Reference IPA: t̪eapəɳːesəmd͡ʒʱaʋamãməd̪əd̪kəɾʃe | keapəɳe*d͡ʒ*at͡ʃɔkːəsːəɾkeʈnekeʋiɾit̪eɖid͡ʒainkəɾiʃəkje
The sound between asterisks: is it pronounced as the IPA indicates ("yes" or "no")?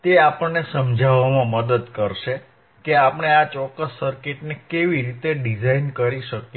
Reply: no